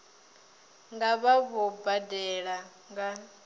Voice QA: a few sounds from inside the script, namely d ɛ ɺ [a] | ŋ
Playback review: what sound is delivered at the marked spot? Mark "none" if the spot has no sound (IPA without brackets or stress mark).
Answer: a